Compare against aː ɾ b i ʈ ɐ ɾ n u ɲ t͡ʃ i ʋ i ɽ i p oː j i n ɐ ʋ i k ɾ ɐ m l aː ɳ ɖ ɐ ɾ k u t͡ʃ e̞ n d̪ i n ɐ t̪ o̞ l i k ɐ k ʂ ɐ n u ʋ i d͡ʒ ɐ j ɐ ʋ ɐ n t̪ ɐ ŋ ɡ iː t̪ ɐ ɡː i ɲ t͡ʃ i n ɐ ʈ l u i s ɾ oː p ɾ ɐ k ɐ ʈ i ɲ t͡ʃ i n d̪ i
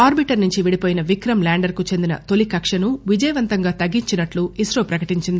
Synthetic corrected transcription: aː ɾ b i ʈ ɐ ɾ n u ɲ t͡ʃ i ʋ i ɽ i p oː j i n ɐ ʋ i k ɾ ɐ m l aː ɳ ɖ ɐ ɾ k u t͡ʃ e̞ n d̪ i n ɐ t̪ o̞ l i k ɐ k ʂ ɐ n u ʋ i d͡ʒ ɐ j ɐ ʋ ɐ n t̪ ɐ ŋ ɡ aː t̪ ɐ ɡː i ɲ t͡ʃ i n ɐ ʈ l u i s ɾ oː p ɾ ɐ k ɐ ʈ i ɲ t͡ʃ i n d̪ i